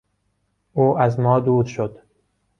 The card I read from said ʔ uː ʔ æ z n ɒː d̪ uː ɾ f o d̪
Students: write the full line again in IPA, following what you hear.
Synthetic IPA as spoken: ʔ uː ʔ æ z m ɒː d̪ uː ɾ ʃ o d̪